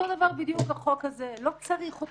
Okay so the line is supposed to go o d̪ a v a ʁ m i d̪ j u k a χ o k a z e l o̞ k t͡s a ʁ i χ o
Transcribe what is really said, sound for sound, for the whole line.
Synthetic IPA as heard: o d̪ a v a ʁ b i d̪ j u k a χ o k a z e l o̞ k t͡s a ʁ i χ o